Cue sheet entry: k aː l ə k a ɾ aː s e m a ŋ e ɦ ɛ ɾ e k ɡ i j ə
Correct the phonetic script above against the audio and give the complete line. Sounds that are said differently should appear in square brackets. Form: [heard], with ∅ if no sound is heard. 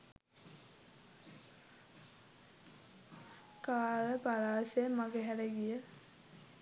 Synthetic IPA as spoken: k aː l ə [p] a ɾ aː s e m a [ɡ] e ɦ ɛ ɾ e [∅] ɡ i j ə